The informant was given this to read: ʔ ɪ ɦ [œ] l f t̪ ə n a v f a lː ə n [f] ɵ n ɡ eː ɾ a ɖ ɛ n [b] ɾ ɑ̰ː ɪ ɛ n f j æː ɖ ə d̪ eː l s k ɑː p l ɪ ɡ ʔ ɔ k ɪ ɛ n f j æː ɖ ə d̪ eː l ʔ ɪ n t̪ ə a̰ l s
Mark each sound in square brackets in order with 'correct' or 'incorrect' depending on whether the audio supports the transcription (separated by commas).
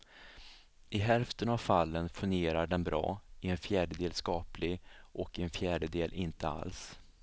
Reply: incorrect, correct, correct